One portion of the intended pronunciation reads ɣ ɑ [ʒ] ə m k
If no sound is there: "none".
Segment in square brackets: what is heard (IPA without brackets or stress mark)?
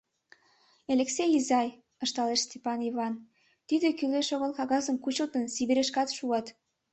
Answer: z